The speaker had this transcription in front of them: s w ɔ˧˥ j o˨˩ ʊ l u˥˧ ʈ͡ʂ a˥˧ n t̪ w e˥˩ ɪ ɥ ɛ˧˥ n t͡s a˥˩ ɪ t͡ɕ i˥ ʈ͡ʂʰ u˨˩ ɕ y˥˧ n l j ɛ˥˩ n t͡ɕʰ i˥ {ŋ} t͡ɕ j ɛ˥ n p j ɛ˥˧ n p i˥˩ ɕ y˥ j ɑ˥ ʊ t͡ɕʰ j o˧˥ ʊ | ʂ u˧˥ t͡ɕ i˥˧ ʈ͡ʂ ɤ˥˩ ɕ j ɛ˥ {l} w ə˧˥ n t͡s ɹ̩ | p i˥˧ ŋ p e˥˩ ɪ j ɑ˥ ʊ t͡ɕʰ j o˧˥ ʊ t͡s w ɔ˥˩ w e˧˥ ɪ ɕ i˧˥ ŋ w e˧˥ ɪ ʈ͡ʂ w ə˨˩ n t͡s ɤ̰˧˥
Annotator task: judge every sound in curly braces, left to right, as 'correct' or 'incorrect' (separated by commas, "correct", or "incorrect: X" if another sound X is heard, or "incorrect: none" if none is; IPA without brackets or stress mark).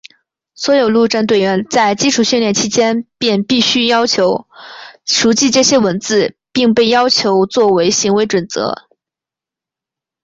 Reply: incorrect: none, incorrect: none